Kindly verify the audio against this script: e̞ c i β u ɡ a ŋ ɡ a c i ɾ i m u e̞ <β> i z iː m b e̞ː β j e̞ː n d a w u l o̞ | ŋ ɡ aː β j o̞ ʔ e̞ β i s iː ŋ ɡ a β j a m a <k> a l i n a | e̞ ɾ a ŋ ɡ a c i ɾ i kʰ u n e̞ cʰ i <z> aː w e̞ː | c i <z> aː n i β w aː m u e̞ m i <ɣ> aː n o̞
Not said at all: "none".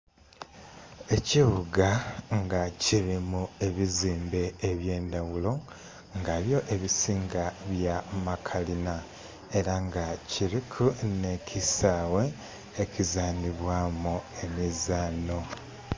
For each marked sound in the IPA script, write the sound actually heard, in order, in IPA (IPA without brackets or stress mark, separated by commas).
β, kʰ, s, z, z